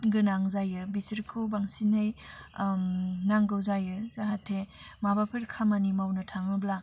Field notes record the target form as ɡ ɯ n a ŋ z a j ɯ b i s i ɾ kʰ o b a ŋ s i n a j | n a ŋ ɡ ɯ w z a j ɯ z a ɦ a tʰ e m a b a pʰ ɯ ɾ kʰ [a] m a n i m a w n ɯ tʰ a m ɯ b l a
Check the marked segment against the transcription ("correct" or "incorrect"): correct